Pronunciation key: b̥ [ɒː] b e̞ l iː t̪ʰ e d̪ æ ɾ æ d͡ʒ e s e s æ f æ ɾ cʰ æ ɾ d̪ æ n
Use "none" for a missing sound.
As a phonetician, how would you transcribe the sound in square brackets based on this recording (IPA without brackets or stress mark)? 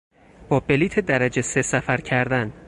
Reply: ɒː